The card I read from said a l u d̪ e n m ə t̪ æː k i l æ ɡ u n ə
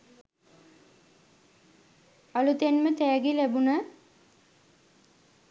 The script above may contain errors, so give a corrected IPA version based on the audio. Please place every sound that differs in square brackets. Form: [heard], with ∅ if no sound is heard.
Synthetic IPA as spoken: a l u [t̪] e n m ə t̪ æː [ɡ] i l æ [b] u n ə